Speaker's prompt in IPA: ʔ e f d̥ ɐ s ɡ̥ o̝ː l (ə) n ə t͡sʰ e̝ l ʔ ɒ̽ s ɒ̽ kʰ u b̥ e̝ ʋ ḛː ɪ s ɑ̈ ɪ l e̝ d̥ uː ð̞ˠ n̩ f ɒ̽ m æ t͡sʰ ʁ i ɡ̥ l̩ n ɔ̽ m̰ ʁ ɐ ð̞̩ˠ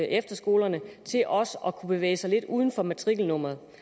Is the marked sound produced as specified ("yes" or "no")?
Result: no